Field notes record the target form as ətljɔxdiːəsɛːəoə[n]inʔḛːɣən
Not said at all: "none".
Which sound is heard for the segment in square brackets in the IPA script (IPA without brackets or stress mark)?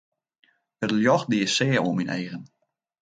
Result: m